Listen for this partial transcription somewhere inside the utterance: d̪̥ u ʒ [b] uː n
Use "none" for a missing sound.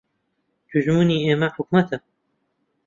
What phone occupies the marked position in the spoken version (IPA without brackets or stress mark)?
m